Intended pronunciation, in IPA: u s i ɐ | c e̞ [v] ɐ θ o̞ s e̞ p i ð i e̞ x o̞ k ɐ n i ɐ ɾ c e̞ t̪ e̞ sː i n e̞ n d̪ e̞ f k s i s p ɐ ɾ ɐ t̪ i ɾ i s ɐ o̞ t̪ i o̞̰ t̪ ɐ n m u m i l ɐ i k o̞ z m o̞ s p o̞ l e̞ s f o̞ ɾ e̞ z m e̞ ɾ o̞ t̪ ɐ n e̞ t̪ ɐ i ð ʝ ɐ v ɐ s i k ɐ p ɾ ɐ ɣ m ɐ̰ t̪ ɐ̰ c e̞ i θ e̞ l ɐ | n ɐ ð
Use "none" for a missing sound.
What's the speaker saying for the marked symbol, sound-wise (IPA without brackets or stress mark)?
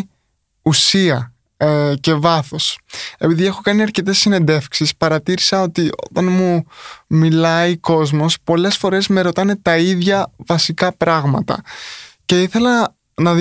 v